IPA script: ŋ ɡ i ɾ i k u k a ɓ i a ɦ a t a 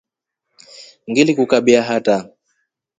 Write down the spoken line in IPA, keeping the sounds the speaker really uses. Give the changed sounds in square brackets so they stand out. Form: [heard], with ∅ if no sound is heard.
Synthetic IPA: ŋ ɡ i [l] i k u k a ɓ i a ɦ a t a